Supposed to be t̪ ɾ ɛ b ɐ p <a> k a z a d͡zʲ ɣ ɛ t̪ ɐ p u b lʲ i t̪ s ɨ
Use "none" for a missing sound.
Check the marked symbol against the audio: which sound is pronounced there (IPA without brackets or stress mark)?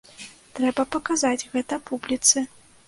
ɐ